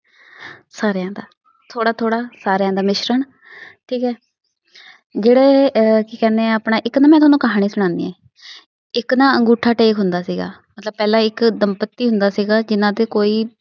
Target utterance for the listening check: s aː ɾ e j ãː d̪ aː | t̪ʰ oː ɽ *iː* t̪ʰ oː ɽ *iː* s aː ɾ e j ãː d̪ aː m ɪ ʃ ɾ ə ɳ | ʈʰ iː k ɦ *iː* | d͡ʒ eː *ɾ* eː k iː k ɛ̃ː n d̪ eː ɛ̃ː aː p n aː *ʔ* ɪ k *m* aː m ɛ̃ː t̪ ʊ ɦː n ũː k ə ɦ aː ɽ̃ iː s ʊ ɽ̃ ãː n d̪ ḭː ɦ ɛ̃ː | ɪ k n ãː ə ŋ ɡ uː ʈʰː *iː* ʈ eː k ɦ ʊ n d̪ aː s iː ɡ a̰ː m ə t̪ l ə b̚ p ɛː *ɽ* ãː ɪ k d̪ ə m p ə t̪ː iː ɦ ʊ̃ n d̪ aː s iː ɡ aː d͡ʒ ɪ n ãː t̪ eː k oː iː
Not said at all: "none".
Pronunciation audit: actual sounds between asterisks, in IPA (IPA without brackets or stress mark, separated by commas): aː, aː, ɛː, ɽ, ʔ, n, aː, l